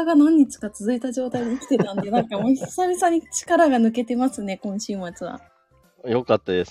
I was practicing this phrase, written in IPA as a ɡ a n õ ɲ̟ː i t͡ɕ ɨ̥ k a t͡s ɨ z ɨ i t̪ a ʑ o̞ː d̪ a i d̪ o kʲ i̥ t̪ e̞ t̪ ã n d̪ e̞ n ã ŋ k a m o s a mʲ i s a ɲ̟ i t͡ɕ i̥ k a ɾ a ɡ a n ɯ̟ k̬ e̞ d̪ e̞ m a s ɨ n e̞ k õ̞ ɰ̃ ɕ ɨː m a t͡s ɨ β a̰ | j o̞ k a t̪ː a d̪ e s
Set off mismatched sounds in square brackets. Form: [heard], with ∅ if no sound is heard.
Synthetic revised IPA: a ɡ a n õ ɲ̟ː i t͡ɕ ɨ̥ k a t͡s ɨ z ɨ i t̪ a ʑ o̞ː [t̪] a i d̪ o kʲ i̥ t̪ e̞ t̪ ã n d̪ e̞ n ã ŋ k a m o s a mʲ i s a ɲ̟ i t͡ɕ i̥ k a ɾ a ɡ a n ɯ̟ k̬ e̞ [t̪] e̞ m a s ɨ n e̞ k õ̞ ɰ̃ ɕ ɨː m a t͡s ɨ β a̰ | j o̞ k a t̪ː a d̪ e s